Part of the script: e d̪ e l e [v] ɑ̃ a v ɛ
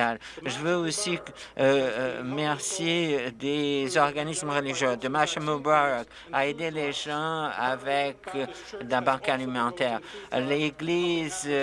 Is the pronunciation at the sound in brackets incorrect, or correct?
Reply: incorrect